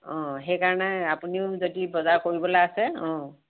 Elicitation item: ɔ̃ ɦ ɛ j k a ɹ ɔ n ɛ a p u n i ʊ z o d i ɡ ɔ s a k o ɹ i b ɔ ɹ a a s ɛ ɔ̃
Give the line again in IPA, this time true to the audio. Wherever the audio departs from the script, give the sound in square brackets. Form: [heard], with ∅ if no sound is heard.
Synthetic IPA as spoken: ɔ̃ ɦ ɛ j k a ɹ ɔ n ɛ a p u n i ʊ z o d i [b] ɔ [z] a k o ɹ i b ɔ [l] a a s ɛ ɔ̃